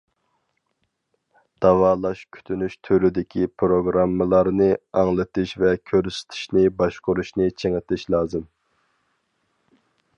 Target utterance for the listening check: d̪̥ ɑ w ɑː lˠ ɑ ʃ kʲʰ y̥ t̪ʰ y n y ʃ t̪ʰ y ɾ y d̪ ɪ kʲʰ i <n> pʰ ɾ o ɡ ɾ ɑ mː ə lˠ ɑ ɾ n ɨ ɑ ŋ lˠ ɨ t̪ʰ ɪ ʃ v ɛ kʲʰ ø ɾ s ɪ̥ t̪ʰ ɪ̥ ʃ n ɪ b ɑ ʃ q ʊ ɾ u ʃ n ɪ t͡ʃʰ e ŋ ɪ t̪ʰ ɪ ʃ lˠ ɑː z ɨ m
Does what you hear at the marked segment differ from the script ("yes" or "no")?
yes